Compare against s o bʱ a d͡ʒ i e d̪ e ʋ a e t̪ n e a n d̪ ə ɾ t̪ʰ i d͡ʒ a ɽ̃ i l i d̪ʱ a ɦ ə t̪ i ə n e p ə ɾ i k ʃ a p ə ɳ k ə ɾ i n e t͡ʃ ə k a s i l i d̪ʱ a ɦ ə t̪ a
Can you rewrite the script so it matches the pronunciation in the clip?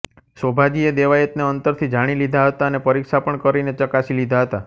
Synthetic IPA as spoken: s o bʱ a d͡ʒ i e d̪ e ʋ a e t̪ n e ə n t̪ ə ɾ t̪ʰ i d͡ʒ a ɽ̃ i l i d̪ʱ a ɦ ə t̪ a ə n e p ə ɾ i k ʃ a p ə ɳ k ə ɾ i n e t͡ʃ ə k a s i l i d̪ʱ a ɦ ə t̪ a